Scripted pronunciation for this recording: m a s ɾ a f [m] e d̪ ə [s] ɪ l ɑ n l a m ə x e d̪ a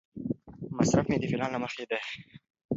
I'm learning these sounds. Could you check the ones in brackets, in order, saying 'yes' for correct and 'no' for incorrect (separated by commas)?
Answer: yes, no